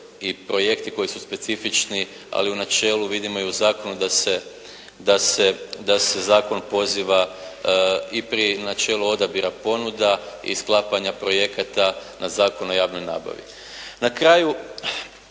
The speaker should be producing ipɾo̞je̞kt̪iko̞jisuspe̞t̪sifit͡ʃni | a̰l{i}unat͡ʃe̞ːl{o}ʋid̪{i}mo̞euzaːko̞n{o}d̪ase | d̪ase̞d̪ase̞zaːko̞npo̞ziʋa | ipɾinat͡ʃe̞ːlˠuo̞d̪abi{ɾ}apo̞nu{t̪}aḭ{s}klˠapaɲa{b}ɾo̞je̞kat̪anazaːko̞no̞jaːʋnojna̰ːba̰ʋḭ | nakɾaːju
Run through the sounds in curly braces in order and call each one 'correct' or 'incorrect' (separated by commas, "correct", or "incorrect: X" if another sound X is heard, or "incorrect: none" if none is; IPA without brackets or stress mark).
correct, incorrect: u, correct, incorrect: u, correct, incorrect: d̪, correct, incorrect: p